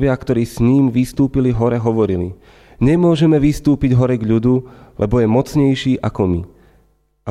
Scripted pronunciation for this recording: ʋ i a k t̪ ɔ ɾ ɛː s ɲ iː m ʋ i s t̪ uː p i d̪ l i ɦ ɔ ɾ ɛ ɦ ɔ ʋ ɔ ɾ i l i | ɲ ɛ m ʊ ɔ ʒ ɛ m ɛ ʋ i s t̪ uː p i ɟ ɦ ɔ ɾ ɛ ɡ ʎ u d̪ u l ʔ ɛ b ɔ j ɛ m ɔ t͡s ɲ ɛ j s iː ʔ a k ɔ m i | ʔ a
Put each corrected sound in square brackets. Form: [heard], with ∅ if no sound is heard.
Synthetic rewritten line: ʋ [ɪ] a k t̪ ɔ ɾ [iː] s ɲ iː m ʋ i s t̪ uː p i [∅] l i ɦ ɔ ɾ ɛ ɦ ɔ ʋ ɔ ɾ i l i | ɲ ɛ m ʊ ɔ ʒ ɛ m ɛ ʋ i s t̪ uː p i ɟ ɦ ɔ ɾ ɛ ɡ ʎ u d̪ u l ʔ ɛ b ɔ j ɛ m ɔ t͡s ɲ ɛ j [ʃ] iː ʔ a k ɔ m i | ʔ a